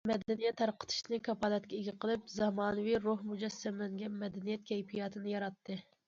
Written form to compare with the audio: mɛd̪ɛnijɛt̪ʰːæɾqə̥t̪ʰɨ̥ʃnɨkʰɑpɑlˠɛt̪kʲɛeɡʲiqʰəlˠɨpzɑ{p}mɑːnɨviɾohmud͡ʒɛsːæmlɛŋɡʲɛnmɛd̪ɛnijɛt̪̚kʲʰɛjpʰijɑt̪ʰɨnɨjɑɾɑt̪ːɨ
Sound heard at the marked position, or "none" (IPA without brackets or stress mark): none